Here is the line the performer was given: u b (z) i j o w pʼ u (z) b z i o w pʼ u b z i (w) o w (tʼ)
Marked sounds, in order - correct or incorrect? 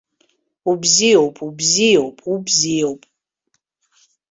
correct, incorrect: none, incorrect: none, incorrect: pʼ

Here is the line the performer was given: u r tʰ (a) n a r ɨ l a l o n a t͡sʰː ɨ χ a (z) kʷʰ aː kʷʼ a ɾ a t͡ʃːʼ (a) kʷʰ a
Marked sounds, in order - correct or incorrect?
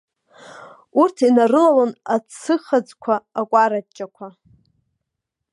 incorrect: i, incorrect: d͡z, correct

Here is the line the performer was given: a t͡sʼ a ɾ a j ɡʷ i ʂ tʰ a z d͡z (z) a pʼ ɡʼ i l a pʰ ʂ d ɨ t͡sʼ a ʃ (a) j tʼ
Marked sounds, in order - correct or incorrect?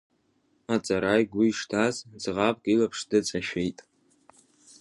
incorrect: ʁ, incorrect: e

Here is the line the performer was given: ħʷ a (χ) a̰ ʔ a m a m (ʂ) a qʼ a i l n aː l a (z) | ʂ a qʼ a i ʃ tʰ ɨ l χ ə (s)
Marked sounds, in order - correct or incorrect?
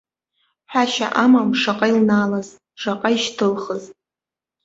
incorrect: ʃ, correct, correct, incorrect: z

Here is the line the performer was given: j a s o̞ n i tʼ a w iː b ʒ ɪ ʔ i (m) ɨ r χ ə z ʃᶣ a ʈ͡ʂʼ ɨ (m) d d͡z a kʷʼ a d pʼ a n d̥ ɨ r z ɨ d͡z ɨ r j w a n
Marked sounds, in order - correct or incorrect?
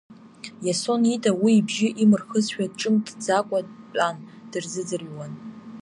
correct, correct

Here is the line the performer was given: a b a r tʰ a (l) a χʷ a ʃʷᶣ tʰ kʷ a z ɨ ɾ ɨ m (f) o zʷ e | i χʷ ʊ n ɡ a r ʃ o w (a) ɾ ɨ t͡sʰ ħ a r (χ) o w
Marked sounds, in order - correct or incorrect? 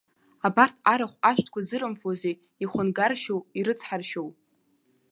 incorrect: ɾ, correct, incorrect: i, incorrect: ʃ

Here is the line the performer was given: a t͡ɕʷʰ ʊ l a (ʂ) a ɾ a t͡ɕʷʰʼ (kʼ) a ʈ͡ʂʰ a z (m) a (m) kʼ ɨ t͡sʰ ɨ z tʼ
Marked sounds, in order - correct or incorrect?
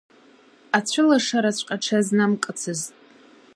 correct, incorrect: qʼ, incorrect: n, correct

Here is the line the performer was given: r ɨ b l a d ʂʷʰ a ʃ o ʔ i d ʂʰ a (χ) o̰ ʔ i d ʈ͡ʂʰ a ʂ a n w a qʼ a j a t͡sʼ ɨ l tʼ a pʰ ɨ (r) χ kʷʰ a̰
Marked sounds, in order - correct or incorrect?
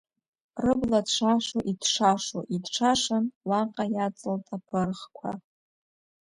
incorrect: ʂ, correct

